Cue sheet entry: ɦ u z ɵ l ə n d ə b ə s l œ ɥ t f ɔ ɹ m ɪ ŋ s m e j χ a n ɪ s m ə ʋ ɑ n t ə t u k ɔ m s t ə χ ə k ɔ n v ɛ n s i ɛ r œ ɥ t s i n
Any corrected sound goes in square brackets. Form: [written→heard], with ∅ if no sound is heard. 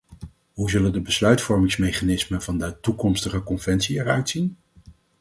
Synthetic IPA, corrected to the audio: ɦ u z ɵ l ə n d ə b ə s l œ ɥ t f ɔ ɹ m ɪ ŋ s m e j χ a n ɪ s m ə [ʋ→v] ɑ n [t→d] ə t u k ɔ m s t ə χ ə k ɔ n v ɛ n s i ɛ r œ ɥ t s i n